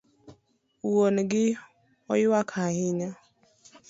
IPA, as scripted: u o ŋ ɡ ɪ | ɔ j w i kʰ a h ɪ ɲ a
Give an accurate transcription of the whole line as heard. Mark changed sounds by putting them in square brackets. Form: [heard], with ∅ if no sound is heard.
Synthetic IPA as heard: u o [n] ɡ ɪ | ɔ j w [a] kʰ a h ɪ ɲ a